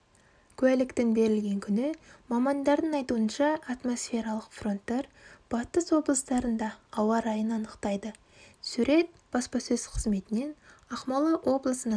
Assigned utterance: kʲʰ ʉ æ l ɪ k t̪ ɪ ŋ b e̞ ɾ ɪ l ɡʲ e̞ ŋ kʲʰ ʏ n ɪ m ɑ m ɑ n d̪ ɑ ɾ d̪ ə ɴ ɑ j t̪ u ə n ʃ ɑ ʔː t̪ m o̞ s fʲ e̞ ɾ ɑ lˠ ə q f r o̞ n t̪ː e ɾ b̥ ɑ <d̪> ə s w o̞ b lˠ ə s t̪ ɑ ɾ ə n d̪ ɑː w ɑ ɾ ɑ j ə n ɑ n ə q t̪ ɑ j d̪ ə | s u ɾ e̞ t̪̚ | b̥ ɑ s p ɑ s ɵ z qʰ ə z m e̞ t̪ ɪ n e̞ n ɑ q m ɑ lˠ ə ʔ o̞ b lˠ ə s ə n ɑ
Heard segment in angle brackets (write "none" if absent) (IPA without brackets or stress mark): t̪